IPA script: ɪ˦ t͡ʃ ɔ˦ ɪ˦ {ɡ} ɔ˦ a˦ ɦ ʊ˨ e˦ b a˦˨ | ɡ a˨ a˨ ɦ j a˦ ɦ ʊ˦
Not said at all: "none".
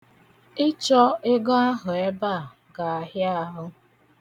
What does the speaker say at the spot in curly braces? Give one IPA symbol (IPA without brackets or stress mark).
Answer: ɡ